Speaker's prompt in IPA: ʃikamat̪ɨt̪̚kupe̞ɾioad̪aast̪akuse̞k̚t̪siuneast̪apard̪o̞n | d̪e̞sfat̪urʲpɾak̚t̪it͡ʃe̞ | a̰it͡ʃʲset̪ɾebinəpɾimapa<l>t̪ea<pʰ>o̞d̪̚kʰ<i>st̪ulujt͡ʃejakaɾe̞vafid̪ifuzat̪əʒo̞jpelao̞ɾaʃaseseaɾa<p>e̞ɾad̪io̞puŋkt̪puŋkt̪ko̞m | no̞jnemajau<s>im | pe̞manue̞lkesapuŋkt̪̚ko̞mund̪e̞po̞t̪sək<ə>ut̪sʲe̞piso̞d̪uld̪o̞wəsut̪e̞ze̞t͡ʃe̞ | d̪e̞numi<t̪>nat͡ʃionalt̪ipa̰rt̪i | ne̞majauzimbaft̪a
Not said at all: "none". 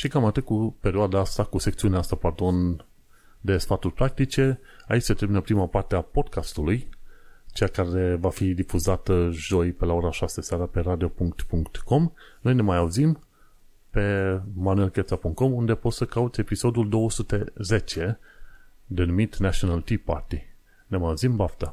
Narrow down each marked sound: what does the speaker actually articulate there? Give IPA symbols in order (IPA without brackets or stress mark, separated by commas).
r, p, a, p, z, a, t̪